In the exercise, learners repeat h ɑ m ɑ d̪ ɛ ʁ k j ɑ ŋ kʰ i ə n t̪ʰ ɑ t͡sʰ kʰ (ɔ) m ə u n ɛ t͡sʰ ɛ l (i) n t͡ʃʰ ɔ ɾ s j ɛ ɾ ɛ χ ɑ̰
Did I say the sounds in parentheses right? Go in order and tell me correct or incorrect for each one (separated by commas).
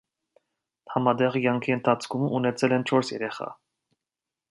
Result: incorrect, incorrect